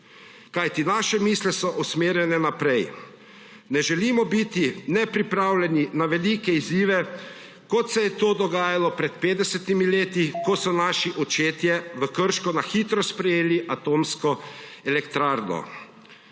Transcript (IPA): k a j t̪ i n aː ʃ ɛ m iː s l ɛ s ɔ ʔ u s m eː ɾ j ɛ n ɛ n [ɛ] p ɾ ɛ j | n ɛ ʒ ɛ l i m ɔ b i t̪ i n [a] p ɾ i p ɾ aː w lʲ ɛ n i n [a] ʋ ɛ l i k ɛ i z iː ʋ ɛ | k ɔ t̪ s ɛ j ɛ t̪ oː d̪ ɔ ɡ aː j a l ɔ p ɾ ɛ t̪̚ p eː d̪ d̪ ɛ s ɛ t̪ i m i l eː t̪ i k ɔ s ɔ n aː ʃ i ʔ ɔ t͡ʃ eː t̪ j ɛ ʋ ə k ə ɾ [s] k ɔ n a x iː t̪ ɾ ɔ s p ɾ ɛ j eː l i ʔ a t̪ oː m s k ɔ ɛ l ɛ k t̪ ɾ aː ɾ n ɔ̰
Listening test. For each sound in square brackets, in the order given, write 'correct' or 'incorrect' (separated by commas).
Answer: incorrect, incorrect, correct, incorrect